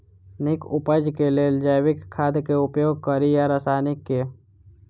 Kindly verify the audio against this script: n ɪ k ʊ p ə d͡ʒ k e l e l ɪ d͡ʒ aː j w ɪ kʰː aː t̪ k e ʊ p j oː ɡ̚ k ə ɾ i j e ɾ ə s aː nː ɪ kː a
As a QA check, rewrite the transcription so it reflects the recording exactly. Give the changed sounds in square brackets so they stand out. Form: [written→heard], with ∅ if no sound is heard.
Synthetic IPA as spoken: n ɪ k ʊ p ə d͡ʒ k e l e l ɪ d͡ʒ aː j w ɪ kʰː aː [t̪→d̪] k e ʊ p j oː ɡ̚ k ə ɾ i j [e→a] ɾ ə s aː [nː→n] ɪ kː [a→e]